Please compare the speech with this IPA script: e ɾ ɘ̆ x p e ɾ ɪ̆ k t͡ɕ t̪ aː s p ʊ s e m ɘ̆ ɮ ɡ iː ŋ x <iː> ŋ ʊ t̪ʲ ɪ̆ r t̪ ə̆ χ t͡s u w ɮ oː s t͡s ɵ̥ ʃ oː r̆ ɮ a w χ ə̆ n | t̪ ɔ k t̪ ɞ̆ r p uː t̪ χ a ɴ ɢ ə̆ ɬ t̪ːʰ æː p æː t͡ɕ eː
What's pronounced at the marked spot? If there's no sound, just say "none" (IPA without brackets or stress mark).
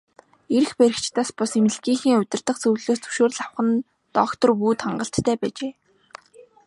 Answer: iː